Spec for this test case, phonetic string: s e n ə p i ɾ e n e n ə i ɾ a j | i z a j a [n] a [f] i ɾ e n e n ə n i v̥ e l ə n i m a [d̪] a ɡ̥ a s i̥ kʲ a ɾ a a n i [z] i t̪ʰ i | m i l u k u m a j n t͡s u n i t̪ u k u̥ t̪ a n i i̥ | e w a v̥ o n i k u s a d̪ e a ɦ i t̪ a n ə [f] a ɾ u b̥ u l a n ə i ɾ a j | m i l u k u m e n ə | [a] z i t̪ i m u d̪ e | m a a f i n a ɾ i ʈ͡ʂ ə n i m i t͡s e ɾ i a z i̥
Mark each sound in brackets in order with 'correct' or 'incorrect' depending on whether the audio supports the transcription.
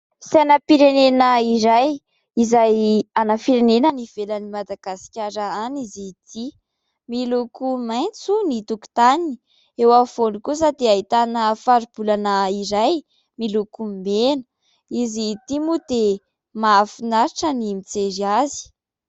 correct, correct, correct, correct, correct, incorrect: i

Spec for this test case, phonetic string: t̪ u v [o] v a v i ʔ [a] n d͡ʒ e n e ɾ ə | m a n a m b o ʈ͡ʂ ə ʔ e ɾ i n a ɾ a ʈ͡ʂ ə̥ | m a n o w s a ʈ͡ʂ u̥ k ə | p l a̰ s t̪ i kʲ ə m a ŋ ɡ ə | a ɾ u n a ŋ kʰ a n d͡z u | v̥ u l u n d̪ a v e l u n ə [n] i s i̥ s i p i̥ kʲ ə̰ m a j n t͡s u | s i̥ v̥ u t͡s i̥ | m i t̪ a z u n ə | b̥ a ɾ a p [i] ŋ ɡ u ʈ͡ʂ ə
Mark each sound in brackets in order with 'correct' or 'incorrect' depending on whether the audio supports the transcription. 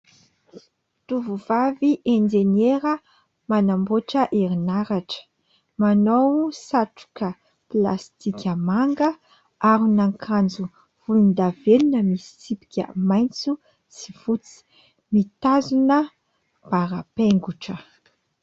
incorrect: u, incorrect: e, incorrect: m, incorrect: e

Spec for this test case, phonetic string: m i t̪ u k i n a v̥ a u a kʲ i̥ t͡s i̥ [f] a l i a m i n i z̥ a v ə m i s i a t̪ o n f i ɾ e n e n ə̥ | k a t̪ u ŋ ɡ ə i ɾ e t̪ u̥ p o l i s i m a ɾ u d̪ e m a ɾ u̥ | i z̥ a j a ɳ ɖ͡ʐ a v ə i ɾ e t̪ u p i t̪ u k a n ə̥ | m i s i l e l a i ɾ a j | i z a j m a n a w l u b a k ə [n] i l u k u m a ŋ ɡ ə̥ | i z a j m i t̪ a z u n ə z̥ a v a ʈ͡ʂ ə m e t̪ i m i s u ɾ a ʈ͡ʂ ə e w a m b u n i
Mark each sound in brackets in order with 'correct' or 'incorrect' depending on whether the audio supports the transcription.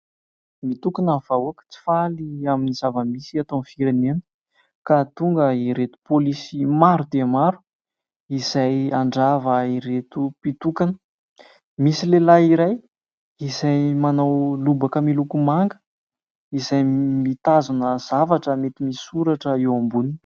correct, incorrect: m

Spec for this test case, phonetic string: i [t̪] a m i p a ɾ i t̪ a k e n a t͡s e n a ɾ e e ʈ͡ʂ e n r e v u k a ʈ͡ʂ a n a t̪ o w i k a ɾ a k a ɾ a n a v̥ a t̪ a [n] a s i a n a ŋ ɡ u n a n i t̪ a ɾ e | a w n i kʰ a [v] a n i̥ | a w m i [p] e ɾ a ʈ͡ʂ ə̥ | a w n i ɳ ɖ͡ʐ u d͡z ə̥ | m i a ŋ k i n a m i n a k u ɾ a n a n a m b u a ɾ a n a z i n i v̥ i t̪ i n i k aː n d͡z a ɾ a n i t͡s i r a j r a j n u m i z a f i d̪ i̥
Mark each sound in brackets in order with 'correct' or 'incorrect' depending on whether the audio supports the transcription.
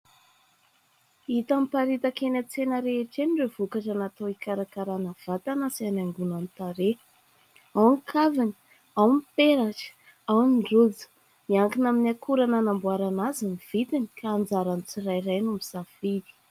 correct, correct, correct, correct

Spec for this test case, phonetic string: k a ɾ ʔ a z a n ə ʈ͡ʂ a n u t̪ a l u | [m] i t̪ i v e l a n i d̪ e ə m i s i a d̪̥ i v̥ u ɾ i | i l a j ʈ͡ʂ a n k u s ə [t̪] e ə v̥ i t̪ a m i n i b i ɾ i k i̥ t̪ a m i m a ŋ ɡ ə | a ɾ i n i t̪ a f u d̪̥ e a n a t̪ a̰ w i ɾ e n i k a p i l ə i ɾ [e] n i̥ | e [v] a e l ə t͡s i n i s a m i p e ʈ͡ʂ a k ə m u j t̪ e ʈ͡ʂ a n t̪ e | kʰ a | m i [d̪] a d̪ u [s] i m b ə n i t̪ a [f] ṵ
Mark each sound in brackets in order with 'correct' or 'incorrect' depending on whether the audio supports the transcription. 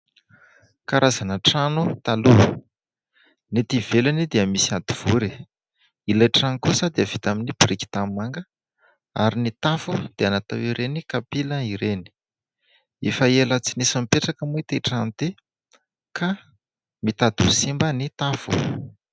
incorrect: n, incorrect: d̪, correct, incorrect: f, incorrect: t̪, correct, correct

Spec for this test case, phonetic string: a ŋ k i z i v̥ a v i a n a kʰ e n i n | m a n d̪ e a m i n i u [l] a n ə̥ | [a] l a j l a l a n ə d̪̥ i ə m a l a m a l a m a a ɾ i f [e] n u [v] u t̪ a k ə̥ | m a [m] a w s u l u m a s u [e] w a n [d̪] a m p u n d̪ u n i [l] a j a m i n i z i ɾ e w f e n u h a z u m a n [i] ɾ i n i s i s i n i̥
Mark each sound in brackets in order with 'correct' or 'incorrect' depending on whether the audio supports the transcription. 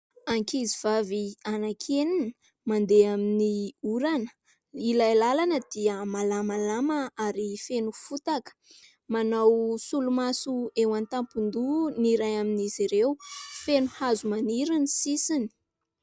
incorrect: ɾ, incorrect: i, correct, incorrect: f, incorrect: n, correct, incorrect: t̪, incorrect: ɾ, correct

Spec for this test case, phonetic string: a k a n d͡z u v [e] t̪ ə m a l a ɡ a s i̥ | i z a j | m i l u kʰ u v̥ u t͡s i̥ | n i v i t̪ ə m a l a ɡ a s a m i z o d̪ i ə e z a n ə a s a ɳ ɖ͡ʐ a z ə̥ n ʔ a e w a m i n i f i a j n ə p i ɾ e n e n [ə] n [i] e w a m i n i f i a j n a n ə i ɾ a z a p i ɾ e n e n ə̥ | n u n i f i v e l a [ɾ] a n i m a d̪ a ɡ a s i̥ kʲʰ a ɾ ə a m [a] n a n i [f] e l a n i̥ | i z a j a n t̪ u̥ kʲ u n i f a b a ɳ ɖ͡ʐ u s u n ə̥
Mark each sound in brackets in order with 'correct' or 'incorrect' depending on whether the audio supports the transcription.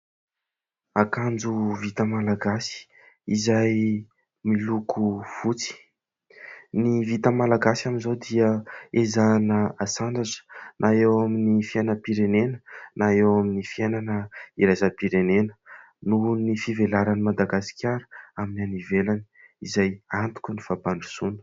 incorrect: i, correct, incorrect: a, correct, incorrect: i, incorrect: v

